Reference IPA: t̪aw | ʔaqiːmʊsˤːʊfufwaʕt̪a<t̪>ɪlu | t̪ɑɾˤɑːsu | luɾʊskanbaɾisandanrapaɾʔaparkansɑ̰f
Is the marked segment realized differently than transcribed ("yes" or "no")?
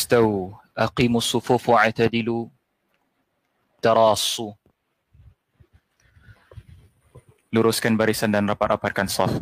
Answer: yes